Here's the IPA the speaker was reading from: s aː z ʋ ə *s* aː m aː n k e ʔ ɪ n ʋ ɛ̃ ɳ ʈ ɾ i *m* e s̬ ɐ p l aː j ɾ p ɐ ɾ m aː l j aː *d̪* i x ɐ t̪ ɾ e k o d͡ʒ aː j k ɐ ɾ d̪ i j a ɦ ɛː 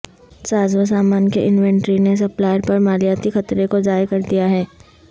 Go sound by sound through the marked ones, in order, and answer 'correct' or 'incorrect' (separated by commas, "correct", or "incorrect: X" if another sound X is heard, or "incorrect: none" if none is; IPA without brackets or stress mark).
correct, incorrect: n, incorrect: t̪